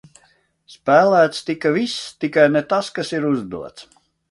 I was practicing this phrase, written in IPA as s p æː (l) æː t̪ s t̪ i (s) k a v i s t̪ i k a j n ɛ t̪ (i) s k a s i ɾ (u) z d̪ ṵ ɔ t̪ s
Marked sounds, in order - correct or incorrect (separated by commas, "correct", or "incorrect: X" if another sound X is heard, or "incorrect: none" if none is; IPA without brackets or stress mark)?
correct, incorrect: none, incorrect: a, correct